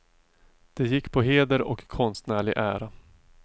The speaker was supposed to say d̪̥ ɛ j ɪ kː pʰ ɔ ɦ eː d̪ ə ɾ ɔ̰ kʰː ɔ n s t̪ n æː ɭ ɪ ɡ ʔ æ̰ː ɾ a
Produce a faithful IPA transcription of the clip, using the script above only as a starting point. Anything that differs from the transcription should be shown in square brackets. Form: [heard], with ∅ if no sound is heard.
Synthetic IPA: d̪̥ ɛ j ɪ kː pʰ ɔ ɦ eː d̪ ə ɾ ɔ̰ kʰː ɔ n s t̪ n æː ɭ ɪ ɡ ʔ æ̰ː ɾ a

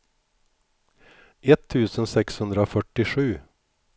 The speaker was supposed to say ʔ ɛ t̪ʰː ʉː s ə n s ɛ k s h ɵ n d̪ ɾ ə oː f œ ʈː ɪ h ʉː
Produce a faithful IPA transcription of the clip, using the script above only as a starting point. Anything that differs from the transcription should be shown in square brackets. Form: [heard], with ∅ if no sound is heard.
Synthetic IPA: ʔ ɛ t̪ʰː ʉː s ə n s ɛ k s h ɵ n d̪ ɾ ə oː f œ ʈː ɪ [ʂ] ʉː

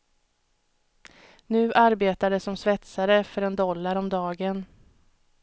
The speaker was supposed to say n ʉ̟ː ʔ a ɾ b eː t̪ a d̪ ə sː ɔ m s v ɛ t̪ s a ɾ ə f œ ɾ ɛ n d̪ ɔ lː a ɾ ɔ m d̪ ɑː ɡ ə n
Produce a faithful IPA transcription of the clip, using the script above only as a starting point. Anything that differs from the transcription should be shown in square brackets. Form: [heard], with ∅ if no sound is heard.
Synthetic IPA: n ʉ̟ː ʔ a ɾ b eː t̪ a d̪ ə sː ɔ m s v ɛ t̪ s a ɾ ə f œ ɾ ɛ n d̪ ɔ lː a ɾ ɔ m d̪ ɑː ɡ ə n

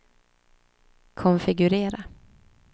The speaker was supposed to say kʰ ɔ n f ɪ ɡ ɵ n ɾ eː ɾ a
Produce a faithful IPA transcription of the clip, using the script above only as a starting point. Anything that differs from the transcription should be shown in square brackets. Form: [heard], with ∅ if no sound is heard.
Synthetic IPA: kʰ ɔ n f ɪ ɡ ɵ [∅] ɾ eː ɾ a

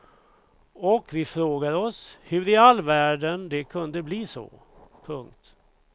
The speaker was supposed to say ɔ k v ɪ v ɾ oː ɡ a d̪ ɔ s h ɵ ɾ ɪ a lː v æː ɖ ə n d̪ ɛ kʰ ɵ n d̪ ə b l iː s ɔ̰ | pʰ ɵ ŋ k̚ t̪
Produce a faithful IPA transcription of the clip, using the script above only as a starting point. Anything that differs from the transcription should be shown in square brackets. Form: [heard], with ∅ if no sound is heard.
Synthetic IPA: ɔ k v ɪ [f] ɾ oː ɡ a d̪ ɔ s h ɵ ɾ ɪ a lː v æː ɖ ə n d̪ ɛ kʰ ɵ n d̪ ə b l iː s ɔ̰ | pʰ ɵ ŋ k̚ t̪

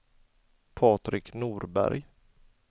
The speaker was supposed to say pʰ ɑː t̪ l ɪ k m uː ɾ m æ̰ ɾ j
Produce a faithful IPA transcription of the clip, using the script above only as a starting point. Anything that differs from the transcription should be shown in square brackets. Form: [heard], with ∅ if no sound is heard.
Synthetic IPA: pʰ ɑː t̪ [ɾ] ɪ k [n] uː ɾ [b] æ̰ ɾ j

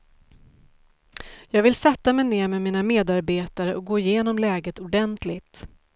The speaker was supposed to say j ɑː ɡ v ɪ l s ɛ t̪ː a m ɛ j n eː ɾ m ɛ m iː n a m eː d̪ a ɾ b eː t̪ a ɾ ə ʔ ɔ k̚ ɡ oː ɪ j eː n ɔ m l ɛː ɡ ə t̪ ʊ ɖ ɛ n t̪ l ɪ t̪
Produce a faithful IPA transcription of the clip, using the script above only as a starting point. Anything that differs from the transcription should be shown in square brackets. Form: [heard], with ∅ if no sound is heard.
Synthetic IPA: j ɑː ɡ v ɪ l s ɛ t̪ː a m ɛ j n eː ɾ m ɛ m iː n a m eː d̪ a ɾ b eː t̪ a ɾ ə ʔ ɔ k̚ ɡ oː ɪ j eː n ɔ m l ɛː ɡ ə t̪ ʊ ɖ ɛ n t̪ l ɪ t̪

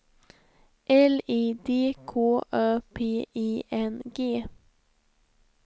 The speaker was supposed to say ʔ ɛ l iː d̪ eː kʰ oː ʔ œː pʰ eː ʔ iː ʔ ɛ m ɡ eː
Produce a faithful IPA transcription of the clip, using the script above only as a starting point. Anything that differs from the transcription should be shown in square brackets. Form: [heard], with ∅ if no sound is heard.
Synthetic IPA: ʔ ɛ l iː d̪ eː kʰ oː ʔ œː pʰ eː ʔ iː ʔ ɛ [n] ɡ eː

